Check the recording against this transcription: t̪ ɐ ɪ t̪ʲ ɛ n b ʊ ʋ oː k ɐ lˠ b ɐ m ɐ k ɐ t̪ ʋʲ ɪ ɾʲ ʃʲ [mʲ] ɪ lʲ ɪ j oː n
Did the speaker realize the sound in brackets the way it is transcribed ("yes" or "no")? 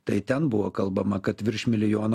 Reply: yes